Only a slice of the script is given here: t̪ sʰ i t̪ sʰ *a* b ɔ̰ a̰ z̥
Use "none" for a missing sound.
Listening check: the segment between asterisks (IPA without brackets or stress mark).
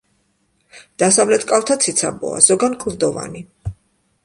a